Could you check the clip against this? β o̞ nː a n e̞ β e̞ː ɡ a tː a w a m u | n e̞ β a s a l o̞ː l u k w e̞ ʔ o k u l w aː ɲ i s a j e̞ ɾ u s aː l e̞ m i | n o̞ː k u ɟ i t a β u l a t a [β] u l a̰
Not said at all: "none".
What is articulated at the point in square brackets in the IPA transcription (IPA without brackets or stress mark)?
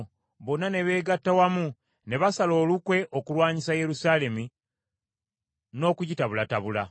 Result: β